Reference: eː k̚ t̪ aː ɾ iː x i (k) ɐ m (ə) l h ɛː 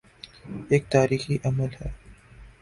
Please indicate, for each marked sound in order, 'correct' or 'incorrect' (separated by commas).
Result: incorrect, correct